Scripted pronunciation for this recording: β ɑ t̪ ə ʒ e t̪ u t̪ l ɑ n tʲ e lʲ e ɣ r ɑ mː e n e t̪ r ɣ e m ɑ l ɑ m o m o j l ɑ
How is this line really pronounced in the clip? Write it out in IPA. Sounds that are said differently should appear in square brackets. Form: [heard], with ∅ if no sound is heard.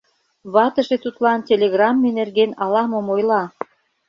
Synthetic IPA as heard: β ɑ t̪ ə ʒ e t̪ u t̪ l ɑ n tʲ e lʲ e ɣ r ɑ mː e n e [∅] r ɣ e [n] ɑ l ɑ m o m o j l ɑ